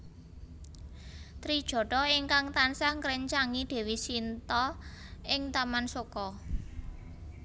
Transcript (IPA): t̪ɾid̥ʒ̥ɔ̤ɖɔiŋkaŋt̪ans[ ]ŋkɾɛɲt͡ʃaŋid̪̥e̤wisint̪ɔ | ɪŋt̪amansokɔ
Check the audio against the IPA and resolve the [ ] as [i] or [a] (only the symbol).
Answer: a